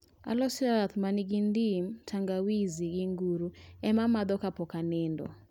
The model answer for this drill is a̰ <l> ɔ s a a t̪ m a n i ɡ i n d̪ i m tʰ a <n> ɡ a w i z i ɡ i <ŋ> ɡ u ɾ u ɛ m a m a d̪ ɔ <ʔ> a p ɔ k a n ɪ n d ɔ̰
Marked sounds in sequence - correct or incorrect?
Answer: correct, incorrect: ŋ, correct, incorrect: k

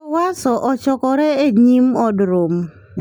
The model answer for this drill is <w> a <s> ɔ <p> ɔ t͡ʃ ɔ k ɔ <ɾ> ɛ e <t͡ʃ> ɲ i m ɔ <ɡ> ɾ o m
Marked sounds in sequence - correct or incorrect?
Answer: correct, correct, incorrect: ʔ, correct, incorrect: none, incorrect: d

